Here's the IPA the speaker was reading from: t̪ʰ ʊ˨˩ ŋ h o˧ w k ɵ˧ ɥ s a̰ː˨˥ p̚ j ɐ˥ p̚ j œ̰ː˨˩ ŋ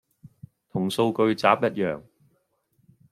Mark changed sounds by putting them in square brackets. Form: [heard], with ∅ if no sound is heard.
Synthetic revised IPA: t̪ʰ ʊ˨˩ ŋ [s] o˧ w k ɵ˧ ɥ [t͡s] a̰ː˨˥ p̚ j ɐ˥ [t̚] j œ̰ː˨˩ ŋ